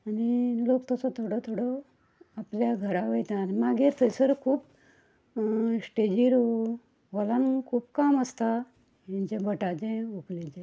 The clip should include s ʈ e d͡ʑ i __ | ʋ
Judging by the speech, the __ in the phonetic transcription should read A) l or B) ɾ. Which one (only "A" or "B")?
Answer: B